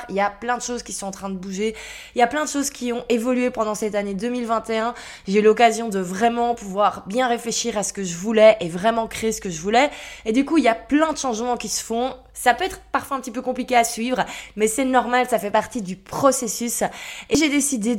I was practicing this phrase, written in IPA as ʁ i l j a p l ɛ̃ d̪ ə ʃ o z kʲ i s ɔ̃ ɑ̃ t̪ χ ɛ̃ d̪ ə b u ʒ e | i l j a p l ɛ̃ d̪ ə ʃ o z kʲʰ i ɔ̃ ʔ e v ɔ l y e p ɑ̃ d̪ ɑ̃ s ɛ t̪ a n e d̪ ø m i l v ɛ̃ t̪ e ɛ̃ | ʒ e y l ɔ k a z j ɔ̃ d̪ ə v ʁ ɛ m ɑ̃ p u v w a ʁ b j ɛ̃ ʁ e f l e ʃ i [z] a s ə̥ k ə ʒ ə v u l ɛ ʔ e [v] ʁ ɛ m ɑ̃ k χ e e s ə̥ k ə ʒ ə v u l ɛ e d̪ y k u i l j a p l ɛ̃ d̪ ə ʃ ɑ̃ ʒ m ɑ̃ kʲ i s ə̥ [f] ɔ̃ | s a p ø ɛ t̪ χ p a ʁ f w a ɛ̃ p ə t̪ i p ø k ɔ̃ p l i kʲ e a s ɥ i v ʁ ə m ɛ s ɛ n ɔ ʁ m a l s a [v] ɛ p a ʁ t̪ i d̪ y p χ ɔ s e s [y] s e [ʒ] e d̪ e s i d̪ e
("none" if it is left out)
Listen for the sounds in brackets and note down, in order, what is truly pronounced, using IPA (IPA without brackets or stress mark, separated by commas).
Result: ʁ, v, f, f, y, ʒ